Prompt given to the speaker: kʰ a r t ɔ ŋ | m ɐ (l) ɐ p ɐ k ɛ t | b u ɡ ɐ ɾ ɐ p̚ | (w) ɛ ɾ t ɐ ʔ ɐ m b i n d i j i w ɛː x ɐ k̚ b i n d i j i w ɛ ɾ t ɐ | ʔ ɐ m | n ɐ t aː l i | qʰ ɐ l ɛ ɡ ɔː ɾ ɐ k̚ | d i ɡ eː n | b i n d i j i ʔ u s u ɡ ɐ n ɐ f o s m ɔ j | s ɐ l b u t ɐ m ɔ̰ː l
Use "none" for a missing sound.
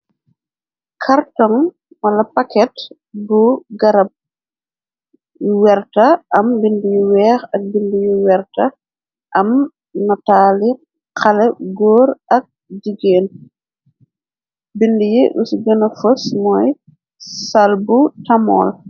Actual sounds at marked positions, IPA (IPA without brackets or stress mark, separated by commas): l, w